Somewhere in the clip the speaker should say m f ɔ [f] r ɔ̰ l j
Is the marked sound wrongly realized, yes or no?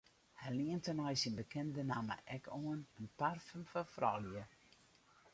no